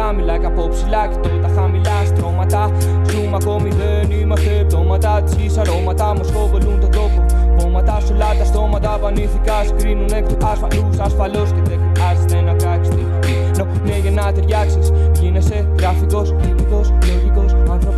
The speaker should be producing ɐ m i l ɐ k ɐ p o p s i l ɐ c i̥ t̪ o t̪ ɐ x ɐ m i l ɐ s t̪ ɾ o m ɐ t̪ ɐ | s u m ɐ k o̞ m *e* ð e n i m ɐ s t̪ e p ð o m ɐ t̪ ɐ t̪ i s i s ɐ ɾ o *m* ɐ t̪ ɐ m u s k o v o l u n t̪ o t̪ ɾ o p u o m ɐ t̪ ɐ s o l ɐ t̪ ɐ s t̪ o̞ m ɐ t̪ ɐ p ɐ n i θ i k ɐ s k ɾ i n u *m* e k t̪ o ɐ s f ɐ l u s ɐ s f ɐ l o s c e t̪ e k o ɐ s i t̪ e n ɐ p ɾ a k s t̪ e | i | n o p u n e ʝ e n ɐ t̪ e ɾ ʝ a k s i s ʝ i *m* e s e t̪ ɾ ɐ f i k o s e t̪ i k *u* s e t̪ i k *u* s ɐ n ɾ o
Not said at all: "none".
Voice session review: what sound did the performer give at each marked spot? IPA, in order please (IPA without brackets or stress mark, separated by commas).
i, m, n, n, o, o